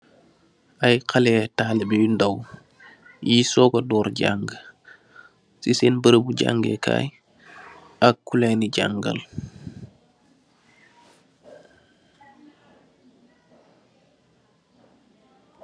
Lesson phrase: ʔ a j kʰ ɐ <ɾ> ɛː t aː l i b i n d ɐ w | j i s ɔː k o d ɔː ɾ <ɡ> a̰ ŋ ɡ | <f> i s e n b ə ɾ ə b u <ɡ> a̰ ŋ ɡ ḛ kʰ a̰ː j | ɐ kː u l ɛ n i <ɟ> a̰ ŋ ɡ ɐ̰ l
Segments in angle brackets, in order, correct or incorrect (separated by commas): incorrect, incorrect, incorrect, incorrect, correct